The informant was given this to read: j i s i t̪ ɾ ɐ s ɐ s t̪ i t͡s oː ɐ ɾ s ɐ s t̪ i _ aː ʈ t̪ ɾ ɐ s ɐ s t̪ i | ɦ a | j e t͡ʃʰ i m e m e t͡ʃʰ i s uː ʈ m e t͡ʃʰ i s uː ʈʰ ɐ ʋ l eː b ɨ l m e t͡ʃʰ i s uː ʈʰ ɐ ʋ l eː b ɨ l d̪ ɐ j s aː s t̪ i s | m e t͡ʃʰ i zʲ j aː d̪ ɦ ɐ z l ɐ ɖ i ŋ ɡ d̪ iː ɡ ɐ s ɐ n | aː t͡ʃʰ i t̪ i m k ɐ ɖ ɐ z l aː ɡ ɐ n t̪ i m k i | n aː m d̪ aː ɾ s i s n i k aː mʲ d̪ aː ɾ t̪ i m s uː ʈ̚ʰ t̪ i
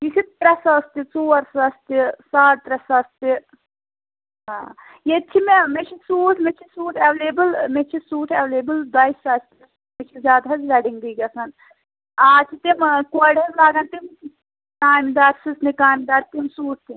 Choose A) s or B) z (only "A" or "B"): A